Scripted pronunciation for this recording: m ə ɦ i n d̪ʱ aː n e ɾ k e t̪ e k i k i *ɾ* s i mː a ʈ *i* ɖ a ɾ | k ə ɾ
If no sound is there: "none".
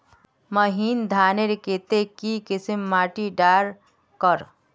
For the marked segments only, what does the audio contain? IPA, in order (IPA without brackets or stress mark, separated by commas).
none, i